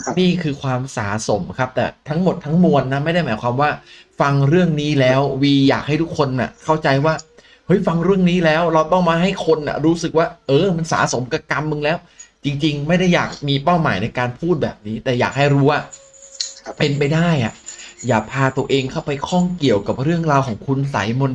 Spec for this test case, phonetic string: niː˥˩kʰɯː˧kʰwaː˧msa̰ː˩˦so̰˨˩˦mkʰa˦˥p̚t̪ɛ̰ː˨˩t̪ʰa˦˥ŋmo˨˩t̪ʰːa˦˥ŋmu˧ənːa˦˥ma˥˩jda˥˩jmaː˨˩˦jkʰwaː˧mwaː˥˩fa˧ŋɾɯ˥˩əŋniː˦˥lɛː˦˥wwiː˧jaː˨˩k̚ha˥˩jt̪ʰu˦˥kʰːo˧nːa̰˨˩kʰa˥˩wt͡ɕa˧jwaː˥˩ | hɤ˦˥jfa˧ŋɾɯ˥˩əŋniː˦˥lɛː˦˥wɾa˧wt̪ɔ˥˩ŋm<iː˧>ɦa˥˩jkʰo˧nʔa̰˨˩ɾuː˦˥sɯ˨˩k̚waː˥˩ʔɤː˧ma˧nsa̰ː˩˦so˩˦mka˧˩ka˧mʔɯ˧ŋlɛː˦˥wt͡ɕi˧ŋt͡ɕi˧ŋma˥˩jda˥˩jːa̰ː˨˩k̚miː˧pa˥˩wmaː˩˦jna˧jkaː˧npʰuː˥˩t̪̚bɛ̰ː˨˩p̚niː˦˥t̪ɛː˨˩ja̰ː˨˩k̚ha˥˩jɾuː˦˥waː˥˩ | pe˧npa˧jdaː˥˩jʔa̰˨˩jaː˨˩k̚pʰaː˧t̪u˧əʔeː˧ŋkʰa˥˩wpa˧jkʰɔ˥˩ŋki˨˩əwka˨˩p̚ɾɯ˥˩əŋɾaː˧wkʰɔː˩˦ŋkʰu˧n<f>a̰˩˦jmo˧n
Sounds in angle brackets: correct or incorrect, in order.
incorrect: aː˧, incorrect: s

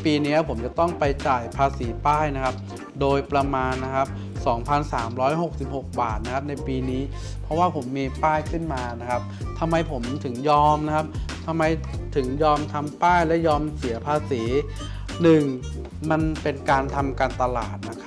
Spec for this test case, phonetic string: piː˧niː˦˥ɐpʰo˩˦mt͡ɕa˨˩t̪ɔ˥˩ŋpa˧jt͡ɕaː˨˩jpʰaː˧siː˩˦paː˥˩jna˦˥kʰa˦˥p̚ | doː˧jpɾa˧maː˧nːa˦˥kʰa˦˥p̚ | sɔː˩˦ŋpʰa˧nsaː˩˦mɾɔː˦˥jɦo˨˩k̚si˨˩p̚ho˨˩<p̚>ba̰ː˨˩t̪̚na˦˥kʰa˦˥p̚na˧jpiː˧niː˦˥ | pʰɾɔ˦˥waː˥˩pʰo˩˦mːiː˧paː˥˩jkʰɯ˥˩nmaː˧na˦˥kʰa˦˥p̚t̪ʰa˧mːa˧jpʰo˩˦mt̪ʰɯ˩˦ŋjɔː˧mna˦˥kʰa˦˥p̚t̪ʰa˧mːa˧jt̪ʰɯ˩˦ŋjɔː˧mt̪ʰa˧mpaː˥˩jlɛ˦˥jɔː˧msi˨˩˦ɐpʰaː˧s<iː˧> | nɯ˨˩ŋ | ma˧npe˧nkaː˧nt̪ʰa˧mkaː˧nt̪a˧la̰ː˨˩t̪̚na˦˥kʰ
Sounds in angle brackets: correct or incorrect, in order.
incorrect: k̚, incorrect: iː˩˦

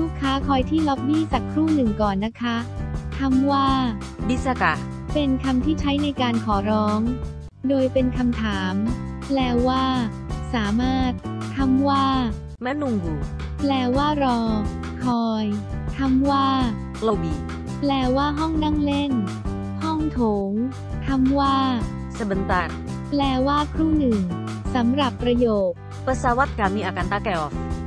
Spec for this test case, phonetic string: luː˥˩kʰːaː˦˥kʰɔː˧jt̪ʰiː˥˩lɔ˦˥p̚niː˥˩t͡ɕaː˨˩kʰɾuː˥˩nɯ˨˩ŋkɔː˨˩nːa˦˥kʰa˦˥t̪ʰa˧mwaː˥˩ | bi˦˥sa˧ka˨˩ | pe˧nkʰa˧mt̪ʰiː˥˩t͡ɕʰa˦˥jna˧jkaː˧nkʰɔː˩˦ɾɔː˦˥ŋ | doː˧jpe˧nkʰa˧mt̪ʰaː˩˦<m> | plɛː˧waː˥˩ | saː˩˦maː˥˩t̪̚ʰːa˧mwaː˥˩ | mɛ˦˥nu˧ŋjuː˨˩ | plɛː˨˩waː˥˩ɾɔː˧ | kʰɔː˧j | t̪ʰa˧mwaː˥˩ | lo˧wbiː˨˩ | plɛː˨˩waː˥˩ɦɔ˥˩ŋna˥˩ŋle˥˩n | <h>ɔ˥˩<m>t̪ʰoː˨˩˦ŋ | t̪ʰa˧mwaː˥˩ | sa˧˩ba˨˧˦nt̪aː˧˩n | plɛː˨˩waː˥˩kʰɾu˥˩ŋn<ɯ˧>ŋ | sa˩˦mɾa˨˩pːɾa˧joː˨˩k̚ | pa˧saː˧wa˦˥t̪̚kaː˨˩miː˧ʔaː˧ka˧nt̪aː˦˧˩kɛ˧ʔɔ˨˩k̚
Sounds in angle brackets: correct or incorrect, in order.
correct, correct, incorrect: ŋ, incorrect: ɯ˨˩

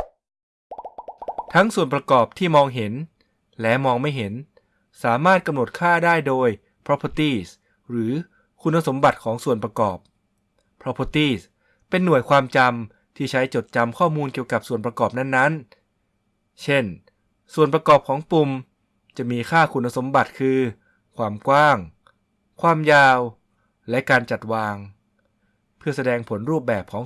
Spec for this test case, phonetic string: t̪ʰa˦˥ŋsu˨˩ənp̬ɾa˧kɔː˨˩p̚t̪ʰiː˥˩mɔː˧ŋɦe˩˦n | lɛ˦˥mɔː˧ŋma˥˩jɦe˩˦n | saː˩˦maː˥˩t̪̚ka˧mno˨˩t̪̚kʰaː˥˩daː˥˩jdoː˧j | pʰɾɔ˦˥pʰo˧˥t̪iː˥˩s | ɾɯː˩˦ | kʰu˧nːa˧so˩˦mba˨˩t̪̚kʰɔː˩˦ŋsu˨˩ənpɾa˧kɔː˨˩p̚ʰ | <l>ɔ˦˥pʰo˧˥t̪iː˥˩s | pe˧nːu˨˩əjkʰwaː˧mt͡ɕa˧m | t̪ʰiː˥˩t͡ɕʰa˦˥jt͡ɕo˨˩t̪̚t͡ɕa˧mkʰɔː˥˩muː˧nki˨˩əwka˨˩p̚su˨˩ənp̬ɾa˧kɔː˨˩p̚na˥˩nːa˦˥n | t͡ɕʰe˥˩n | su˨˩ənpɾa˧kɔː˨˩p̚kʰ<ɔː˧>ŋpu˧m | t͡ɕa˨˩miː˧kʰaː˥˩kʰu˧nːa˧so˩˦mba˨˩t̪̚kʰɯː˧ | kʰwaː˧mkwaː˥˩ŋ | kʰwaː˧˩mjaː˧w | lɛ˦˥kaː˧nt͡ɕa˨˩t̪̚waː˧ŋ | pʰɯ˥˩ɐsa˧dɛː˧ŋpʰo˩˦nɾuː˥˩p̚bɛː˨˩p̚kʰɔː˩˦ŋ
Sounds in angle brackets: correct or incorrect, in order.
incorrect: ɾ, incorrect: ɔː˩˦

